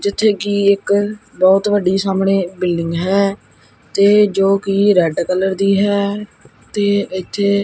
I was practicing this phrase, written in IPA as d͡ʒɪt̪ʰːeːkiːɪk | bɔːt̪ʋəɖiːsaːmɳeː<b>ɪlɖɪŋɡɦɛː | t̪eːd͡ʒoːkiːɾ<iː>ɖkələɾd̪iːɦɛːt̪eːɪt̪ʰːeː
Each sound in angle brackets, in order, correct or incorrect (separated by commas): correct, incorrect